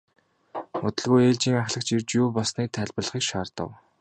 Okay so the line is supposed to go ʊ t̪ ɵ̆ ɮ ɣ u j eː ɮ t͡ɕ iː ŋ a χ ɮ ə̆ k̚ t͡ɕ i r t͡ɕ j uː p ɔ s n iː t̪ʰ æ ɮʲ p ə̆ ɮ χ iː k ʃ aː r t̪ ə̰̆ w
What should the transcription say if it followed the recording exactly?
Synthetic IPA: ʊ t̪ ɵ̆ ɮ ɣ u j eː ɮ t͡ɕ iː ŋ a χ ɮ ə̆ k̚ t͡ɕ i r t͡ɕ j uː p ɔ s n iː t̪ʰ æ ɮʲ p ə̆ ɮ χ iː k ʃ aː r t̪ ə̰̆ w

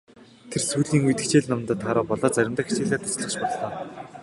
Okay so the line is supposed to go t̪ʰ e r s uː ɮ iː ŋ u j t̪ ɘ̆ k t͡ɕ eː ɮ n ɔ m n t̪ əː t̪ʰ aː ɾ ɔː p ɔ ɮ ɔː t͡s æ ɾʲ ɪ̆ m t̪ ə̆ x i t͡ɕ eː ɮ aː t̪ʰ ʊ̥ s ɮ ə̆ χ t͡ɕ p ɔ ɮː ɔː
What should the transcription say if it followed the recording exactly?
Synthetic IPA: t̪ʰ e r s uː ɮ iː ŋ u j t̪ ɘ̆ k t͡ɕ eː ɮ n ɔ m n t̪ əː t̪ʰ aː ɾ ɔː p ɔ ɮ ɔː t͡s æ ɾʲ ɪ̆ m t̪ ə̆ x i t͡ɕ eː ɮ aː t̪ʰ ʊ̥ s ɮ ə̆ χ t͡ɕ p ɔ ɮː ɔː

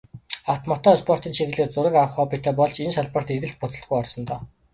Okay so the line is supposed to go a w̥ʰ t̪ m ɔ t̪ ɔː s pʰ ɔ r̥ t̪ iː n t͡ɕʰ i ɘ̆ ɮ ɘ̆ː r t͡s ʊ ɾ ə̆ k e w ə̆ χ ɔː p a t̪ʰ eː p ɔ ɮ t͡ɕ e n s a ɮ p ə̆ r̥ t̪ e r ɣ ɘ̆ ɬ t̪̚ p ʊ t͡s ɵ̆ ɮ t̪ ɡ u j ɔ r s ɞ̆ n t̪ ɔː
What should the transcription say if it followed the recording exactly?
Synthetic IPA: a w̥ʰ t̪ m ɔ t̪ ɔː s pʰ ɔ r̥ t̪ iː n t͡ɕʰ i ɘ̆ ɮ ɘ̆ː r t͡s ʊ ɾ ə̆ k a w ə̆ χ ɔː p i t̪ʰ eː p ɔ ɮ t͡ɕ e n s a ɮ p ə̆ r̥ t̪ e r ɣ ɘ̆ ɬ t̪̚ p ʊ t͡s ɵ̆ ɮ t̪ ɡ u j ɔ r s ɞ̆ n t̪ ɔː

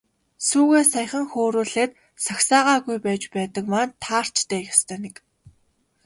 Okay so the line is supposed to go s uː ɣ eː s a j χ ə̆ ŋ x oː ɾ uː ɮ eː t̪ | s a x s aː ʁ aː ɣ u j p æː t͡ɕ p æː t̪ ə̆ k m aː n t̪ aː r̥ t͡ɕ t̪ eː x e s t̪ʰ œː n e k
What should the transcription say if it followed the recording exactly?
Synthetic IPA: s uː ɣ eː s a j χ ə̆ ŋ x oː ɾ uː ɮ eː t̪ | s a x s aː ʁ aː ɣ u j p æː t͡ɕ p æː t̪ ə̆ k m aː n t̪ʰ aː r̥ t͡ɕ t̪ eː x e s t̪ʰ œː n e k

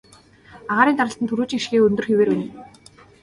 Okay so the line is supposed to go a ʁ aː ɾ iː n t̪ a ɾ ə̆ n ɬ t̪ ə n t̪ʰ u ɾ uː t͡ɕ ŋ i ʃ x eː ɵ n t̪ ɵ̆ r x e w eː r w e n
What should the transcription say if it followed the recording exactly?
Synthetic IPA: a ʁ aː ɾ iː n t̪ a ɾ ə̆ ɬ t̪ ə n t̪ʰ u ɾ uː t͡ɕ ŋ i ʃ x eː ɵ n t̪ ɵ̆ r x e w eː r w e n

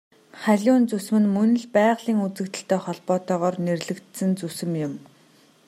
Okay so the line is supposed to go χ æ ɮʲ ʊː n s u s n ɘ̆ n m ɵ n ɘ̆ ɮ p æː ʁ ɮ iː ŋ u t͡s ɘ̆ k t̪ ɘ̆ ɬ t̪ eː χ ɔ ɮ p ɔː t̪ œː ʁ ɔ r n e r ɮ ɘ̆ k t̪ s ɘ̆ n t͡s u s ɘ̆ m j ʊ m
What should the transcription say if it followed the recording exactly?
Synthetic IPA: χ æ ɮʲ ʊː n t͡s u s m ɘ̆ n m ɵ n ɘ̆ ɮ p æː ʁ ɮ iː ŋ u t͡s ɘ̆ k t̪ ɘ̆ ɬ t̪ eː χ ɔ ɮ p ɔː t̪ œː ʁ ɔː r n e r ɮ ɘ̆ k t̪ s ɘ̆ n t͡s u s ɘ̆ m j ʊ m

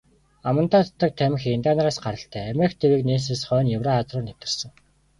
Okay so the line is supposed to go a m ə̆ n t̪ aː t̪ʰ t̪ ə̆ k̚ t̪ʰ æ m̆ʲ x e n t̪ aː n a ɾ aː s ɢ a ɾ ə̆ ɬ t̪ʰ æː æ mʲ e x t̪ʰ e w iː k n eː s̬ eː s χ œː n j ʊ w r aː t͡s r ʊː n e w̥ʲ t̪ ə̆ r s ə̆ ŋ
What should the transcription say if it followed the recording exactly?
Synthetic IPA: a m ə̆ n t̪ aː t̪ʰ t̪ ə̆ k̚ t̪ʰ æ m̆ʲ x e n t̪ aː n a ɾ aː s ɢ a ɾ ə̆ ɬ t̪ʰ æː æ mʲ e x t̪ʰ e w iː k n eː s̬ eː s χ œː n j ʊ w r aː t͡s r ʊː n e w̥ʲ t̪ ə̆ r s ə̆ ŋ

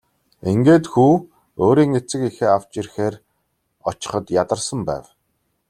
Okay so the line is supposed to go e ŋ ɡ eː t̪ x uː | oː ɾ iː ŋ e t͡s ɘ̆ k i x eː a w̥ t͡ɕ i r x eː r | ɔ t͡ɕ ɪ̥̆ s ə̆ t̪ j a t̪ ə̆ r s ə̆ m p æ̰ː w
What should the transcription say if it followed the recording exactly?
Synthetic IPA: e ŋ ɡ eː t̪ x uː | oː ɾ iː ŋ e t͡s ɘ̆ k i x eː a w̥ t͡ɕ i r x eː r | ɔ t͡ɕ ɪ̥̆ χ ə̆ t̪ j a t̪ ə̆ r s ə̆ m p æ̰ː w

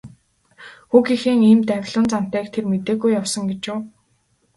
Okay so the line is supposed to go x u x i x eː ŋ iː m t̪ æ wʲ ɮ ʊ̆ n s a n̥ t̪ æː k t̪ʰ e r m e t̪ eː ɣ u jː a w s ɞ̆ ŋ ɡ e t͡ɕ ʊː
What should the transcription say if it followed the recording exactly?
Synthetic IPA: x u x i x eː ŋ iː m t̪ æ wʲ ɮ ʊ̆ n t͡s a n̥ t̪ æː k t̪ʰ e r m e t̪ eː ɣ u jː a w s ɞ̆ ŋ ɡ e t͡ɕ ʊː

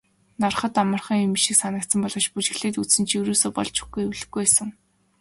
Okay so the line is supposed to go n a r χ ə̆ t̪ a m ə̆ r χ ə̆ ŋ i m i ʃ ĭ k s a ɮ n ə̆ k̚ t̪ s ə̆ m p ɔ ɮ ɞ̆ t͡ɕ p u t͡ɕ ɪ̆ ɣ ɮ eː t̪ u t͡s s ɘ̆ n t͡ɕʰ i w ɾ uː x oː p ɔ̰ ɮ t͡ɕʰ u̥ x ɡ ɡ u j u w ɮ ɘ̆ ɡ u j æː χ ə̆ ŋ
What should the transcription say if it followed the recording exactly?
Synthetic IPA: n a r χ ə̆ t̪ a m ə̆ r χ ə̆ ŋ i m i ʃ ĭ k s a n ə̆ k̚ t̪ s ə̆ m p ɔ ɮ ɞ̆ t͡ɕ p u t͡ɕ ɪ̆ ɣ ɮ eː t̪ u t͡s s ɘ̆ n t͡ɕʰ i w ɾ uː s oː p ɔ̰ ɮ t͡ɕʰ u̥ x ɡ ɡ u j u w ɮ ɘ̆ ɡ u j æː s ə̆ ŋ

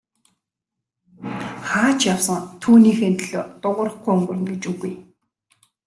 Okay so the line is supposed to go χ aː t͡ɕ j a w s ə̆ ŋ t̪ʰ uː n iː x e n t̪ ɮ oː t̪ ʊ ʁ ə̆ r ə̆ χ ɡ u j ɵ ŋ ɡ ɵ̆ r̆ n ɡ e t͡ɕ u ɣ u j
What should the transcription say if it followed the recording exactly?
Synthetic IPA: χ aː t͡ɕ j a w s ə̆ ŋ t̪ʰ uː n iː x e n t̪ ɮ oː t̪ ʊ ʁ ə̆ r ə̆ χ ɡ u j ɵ ŋ ɡ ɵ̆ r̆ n ɡ e t͡ɕ u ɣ u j

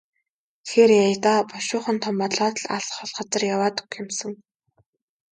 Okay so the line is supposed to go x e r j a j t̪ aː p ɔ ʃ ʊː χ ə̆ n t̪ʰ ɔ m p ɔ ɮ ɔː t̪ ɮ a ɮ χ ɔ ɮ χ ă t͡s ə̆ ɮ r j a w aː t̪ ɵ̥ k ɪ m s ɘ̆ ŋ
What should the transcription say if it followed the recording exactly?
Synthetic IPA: x e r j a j t̪ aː p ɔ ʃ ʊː χ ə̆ n t̪ʰ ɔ m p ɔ ɮ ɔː t̪ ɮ a ɮ χ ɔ ɮ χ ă t͡s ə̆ r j a w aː t̪ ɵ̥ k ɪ m s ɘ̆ ŋ

